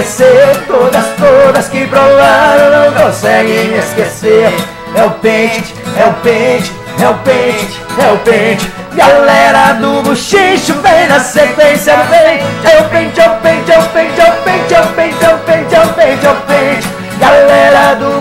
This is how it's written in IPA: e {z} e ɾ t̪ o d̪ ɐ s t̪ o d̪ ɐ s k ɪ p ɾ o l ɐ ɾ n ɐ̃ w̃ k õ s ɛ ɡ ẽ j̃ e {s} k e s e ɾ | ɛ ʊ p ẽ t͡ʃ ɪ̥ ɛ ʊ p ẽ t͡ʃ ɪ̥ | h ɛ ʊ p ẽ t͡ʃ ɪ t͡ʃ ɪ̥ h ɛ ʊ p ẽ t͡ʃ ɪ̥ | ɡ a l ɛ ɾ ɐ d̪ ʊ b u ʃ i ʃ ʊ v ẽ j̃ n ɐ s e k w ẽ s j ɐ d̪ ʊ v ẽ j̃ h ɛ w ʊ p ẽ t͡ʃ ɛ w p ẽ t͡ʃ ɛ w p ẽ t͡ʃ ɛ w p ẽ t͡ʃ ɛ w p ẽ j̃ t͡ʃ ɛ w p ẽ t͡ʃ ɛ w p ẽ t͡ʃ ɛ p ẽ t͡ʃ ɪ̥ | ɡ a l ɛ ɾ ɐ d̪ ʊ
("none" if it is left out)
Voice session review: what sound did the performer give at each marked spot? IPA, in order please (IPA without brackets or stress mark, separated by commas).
s, s